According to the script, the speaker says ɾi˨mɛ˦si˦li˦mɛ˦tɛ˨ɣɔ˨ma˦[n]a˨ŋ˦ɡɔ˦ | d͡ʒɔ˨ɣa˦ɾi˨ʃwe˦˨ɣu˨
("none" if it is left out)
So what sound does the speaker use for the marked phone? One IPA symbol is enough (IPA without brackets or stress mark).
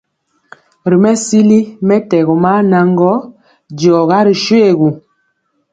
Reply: n